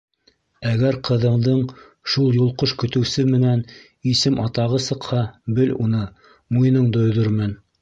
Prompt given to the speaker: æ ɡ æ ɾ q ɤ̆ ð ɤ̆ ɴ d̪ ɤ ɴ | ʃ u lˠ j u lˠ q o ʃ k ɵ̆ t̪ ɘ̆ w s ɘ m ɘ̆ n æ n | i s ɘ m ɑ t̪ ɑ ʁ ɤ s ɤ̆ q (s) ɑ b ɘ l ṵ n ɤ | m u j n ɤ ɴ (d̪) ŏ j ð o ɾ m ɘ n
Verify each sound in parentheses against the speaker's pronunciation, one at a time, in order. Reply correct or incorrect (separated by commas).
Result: incorrect, correct